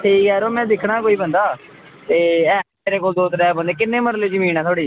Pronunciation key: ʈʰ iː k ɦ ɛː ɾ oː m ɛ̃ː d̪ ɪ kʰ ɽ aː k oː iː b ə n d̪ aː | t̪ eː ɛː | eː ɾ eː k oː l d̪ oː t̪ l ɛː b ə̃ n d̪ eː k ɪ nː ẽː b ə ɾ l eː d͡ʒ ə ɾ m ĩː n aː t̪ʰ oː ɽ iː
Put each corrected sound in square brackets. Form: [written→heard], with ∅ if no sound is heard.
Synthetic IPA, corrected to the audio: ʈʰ iː k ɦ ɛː ɾ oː m ɛ̃ː d̪ ɪ kʰ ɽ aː k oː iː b ə n d̪ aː | t̪ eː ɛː | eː ɾ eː k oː l d̪ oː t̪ [l→ɾ] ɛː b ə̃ n d̪ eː k ɪ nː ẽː [b→m] ə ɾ l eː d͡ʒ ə [ɾ→∅] m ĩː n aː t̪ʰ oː ɽ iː

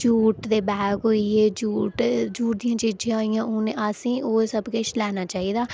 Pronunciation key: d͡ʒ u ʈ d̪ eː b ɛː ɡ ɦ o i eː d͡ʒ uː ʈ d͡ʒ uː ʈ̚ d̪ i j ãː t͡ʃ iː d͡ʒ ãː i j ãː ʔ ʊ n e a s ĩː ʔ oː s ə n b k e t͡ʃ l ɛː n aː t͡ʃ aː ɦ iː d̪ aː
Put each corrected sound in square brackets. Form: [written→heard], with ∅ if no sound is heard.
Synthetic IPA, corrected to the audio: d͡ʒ [u→uː] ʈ d̪ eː b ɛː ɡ ɦ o i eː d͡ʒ uː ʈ d͡ʒ uː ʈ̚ d̪ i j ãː t͡ʃ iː d͡ʒ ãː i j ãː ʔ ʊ n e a s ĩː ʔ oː s ə [n→∅] b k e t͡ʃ l ɛː n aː t͡ʃ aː ɦ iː d̪ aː

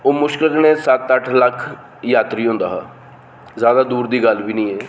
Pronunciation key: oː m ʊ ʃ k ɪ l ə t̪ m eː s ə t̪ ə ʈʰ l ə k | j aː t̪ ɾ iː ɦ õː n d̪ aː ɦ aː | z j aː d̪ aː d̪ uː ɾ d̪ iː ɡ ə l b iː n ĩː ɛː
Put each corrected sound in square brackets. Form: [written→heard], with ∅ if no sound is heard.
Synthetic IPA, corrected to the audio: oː m ʊ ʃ k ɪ l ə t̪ [m→n] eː s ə t̪ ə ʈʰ l ə [k→kʰ] | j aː t̪ ɾ iː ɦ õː n d̪ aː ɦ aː | z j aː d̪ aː d̪ uː ɾ d̪ iː ɡ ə l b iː n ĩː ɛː

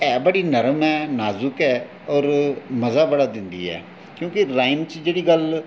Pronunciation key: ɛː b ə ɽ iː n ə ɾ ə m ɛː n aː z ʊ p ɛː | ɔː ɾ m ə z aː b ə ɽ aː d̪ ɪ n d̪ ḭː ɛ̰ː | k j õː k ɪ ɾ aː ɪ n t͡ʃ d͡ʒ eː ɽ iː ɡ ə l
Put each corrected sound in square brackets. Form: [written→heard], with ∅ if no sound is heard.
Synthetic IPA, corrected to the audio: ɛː b ə ɽ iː n ə ɾ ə m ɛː n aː z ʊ [p→k] ɛː | ɔː ɾ m ə z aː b ə ɽ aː d̪ ɪ n d̪ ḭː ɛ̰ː | k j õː k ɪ ɾ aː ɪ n t͡ʃ d͡ʒ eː ɽ iː ɡ ə l

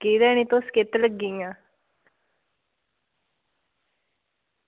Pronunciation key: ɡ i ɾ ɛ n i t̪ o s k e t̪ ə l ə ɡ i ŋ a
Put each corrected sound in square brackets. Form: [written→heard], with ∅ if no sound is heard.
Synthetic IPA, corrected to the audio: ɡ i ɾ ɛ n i t̪ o s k e t̪ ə l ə ɡ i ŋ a

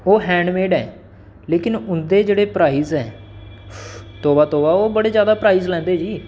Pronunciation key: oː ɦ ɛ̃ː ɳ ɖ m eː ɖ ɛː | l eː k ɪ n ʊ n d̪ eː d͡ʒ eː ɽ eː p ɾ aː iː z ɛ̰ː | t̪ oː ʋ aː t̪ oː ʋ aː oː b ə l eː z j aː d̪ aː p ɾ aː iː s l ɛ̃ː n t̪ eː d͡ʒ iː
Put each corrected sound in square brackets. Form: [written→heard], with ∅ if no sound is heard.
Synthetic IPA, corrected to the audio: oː ɦ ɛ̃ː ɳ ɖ m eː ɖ ɛː | l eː k ɪ n ʊ n d̪ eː d͡ʒ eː ɽ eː p ɾ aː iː z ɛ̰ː | t̪ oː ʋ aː t̪ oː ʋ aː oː b ə [l→ɽ] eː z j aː d̪ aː p ɾ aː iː [s→z] l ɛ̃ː n [t̪→d̪] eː d͡ʒ iː

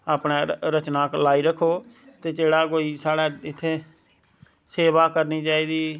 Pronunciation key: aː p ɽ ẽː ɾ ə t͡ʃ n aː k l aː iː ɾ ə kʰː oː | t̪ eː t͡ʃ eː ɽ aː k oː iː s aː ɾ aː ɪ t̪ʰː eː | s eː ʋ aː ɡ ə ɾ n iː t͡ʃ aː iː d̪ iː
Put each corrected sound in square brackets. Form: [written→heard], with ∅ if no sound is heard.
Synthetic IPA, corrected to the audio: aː p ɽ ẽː ɾ ə t͡ʃ n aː k l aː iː ɾ ə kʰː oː | t̪ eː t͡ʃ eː ɽ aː k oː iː s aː [ɾ→ɽ] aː ɪ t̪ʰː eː | s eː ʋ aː [ɡ→k] ə ɾ n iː t͡ʃ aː iː d̪ iː

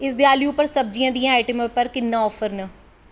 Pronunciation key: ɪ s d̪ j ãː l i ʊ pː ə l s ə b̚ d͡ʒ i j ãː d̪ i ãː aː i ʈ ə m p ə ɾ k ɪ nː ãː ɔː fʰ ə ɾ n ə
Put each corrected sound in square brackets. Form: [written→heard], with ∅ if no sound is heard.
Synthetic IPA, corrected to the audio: ɪ s d̪ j [ãː→aː] l i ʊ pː ə [l→ɾ] s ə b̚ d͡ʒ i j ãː d̪ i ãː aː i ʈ ə m p ə ɾ k ɪ nː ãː ɔː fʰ ə ɾ n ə

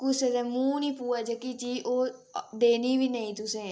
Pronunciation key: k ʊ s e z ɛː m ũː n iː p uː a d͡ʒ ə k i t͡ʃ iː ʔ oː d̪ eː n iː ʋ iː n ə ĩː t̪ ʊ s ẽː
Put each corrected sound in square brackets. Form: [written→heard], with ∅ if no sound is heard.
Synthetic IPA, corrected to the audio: k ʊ s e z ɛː m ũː n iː p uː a d͡ʒ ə k i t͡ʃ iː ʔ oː d̪ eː n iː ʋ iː n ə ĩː t̪ ʊ s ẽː

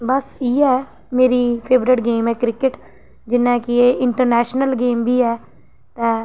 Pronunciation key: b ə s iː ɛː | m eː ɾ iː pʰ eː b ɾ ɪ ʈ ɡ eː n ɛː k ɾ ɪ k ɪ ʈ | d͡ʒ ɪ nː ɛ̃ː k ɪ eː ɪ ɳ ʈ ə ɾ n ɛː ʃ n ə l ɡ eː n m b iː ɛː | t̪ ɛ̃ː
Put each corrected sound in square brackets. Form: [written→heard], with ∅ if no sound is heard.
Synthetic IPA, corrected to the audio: b ə s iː ɛː | m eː ɾ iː pʰ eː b ɾ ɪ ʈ ɡ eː [n→m] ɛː k ɾ ɪ k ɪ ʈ | d͡ʒ ɪ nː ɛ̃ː k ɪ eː ɪ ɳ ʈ ə ɾ n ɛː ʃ n ə l ɡ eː [n→∅] m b iː ɛː | t̪ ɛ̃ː

